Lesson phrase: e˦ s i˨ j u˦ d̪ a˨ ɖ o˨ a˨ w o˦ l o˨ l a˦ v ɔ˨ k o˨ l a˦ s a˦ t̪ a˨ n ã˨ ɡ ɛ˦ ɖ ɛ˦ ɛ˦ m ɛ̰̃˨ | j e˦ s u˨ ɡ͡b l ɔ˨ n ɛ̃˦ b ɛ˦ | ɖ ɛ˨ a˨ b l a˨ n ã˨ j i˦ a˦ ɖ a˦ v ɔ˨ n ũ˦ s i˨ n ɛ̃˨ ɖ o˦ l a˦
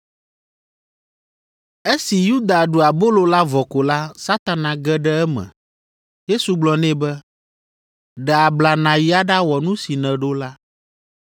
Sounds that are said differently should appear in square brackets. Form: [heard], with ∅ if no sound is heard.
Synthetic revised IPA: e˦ s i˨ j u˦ d̪ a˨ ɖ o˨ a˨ [b] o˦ l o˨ l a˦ v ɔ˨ k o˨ l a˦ s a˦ t̪ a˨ n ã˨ ɡ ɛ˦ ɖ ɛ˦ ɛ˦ m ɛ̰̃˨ | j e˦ s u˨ ɡ͡b l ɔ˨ n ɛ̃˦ b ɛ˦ | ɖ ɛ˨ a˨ b l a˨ n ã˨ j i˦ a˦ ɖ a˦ [w] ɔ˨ n ũ˦ s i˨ n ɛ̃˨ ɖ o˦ l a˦